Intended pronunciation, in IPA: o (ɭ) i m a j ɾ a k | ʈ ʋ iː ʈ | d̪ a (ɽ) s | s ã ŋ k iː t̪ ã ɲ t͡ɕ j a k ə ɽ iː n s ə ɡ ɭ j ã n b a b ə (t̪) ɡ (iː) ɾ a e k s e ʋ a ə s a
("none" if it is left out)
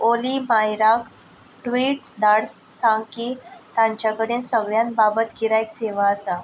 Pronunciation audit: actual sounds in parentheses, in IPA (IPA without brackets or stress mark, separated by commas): l, ɽ, t̪, i